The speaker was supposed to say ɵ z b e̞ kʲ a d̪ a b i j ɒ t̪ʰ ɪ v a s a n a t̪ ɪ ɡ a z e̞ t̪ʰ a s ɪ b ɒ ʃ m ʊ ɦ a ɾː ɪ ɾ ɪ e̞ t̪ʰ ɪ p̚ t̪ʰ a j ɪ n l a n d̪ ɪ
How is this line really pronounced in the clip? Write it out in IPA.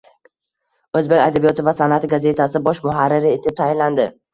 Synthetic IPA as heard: ɵ z b e̞ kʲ a d̪ a b i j ɒ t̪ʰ ɪ v a s a n a t̪ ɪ ɡ a z e̞ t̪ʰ a s ɪ b ɒ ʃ m ʊ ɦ a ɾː ɪ ɾ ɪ e̞ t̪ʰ ɪ p̚ t̪ʰ a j ɪ n l a n d̪ ɪ